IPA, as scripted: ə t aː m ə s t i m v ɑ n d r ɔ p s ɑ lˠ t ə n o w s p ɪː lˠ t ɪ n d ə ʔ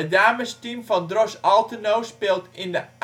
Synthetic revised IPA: ə d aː m ə s t i m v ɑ n d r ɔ s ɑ lˠ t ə n o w s p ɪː lˠ t ɪ n d ə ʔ